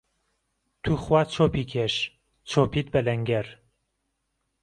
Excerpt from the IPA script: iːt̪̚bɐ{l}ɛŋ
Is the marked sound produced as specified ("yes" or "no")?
yes